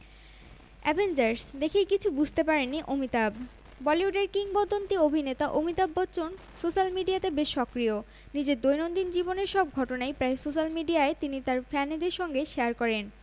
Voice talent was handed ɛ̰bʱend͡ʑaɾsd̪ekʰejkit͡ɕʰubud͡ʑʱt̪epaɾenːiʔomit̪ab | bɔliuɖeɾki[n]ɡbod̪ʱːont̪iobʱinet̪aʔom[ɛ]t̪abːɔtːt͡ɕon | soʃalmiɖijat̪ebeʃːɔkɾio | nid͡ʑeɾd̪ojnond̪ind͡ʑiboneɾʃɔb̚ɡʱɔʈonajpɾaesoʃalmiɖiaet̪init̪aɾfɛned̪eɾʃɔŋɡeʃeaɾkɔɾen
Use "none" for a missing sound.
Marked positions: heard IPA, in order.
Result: ŋ, i

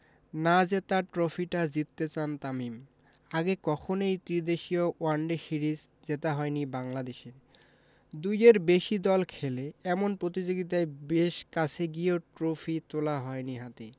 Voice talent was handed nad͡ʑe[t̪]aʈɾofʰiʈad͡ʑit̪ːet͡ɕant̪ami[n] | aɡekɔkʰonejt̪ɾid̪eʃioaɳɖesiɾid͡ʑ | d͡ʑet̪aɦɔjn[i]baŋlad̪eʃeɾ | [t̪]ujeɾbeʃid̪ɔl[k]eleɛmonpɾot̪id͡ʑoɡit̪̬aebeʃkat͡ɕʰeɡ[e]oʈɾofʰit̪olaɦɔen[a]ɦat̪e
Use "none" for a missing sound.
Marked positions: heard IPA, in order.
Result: t̪, m, i, d̪, kʰ, i, i

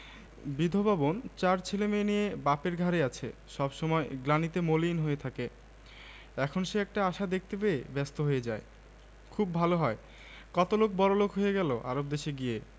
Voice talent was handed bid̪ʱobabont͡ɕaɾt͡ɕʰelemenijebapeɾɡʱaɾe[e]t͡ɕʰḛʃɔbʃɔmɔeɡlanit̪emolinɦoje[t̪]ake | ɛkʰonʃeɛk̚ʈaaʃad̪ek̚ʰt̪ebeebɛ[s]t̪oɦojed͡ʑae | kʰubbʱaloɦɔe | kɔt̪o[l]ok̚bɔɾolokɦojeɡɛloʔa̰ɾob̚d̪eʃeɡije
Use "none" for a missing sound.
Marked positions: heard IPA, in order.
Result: a, t̪ʰ, s, l

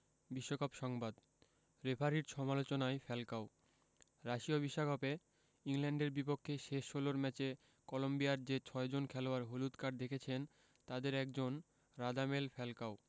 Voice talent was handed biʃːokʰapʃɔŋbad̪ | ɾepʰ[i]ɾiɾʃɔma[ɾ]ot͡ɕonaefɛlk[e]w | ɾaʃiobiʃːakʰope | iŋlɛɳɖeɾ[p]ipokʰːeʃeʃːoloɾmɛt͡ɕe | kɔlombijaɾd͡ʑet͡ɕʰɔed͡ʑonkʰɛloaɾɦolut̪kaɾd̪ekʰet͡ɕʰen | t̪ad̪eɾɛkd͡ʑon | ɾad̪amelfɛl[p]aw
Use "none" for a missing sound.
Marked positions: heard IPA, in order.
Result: a, l, a, b, k

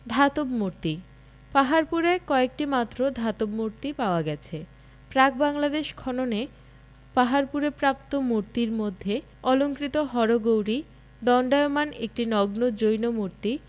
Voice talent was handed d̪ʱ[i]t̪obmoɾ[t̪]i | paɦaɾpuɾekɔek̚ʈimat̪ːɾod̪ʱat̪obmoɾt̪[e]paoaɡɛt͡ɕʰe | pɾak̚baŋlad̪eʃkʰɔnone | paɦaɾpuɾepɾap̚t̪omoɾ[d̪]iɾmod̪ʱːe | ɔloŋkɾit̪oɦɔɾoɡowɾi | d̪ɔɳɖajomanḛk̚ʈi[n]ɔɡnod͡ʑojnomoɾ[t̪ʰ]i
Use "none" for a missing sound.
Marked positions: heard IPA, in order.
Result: a, t̪, i, t̪, n, t̪

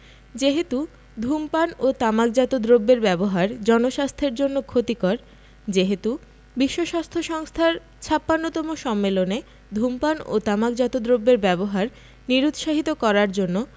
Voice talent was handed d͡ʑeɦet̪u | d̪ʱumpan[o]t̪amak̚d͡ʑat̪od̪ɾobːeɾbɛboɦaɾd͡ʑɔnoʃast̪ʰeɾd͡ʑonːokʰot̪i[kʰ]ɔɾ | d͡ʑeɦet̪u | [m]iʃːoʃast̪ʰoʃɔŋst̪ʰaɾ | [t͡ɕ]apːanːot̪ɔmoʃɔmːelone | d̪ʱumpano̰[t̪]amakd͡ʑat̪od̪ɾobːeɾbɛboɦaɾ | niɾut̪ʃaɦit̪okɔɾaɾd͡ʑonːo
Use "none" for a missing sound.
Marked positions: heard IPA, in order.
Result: o, k, b, t͡ɕʰ, t̪

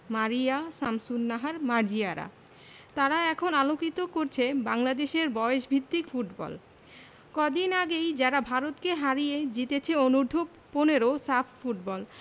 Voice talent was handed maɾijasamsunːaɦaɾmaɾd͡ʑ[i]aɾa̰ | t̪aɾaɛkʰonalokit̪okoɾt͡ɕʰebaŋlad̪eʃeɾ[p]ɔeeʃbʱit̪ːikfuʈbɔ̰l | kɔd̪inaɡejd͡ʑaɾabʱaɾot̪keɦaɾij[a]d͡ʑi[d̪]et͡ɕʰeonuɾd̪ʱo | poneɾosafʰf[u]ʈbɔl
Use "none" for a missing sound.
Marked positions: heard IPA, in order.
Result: i, b, e, t̪, u

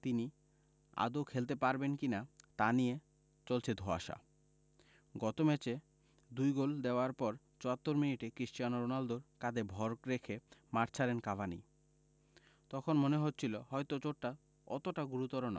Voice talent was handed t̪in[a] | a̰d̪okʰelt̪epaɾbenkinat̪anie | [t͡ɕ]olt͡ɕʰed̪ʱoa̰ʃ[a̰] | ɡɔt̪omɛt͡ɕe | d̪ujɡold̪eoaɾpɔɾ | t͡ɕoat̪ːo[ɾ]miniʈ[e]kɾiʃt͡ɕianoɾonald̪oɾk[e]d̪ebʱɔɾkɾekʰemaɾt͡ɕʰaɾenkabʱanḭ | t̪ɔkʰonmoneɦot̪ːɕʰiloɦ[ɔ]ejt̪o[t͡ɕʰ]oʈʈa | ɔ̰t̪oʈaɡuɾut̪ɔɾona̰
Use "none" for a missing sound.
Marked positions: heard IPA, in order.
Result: i, t͡ɕ, a̰, ɾ, e, a, ɔ, t͡ɕ

